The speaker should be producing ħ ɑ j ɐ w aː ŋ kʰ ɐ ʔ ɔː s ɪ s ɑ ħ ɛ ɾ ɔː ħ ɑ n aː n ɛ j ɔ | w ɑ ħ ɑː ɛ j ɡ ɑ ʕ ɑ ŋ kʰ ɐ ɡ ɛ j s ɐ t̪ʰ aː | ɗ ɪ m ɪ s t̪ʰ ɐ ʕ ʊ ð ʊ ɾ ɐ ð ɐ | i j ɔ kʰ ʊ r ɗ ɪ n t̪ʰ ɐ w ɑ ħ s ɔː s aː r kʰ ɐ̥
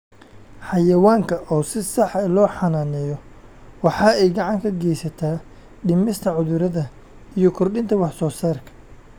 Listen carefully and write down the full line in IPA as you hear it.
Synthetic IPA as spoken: ħ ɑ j ɐ w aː ŋ kʰ ɐ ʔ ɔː s ɪ s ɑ ħ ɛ l ɔː ħ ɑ n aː n ɛ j ɔ | w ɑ ħ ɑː ɛ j ɡ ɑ ʕ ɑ ŋ kʰ ɐ ɡ ɛ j s ɐ t̪ʰ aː | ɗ ɪ m ɪ s t̪ʰ ɐ ʕ ʊ ð ʊ ɾ ɐ ð ɐ | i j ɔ kʰ ʊ r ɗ ɪ n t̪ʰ ɐ w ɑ ħ s ɔː s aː r kʰ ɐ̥